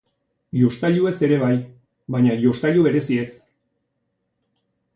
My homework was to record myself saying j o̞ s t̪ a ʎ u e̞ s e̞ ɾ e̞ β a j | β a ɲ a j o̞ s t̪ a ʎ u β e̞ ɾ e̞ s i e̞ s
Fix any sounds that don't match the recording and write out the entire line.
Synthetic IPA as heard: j o̞ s t̪ a ʎ u e̞ s e̞ ɾ e̞ β a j | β a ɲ a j o̞ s t̪ a ʎ u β e̞ ɾ e̞ s i e̞ s